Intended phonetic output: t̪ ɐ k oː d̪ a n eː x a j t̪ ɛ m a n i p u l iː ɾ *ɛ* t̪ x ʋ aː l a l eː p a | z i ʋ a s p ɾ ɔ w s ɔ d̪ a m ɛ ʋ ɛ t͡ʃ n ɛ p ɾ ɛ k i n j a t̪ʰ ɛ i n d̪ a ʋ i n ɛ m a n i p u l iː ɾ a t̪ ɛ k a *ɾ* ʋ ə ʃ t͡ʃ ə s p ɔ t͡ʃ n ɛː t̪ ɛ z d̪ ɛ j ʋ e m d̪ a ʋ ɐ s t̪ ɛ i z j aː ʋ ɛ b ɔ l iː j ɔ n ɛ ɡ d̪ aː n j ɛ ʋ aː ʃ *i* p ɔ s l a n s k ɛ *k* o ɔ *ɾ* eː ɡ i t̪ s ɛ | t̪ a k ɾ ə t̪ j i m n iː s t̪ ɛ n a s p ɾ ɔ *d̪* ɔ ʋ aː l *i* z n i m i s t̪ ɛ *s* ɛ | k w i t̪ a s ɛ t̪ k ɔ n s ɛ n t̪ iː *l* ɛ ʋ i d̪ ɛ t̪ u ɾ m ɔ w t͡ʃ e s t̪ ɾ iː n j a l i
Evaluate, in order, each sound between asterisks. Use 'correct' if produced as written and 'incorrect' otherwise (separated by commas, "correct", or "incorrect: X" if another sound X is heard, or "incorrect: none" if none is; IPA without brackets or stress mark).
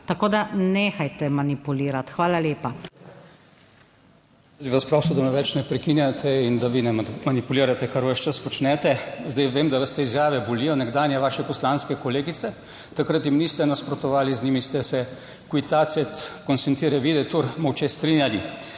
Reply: incorrect: a, correct, incorrect: ɛ, correct, incorrect: l, incorrect: t̪, correct, correct, incorrect: ɾ